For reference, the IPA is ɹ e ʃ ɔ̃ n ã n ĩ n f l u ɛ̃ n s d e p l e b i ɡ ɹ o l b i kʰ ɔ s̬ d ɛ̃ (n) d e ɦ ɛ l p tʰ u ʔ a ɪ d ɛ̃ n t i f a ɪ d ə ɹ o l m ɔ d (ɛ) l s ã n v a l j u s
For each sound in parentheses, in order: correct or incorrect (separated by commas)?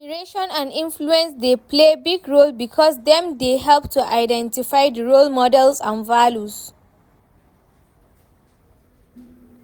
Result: incorrect, correct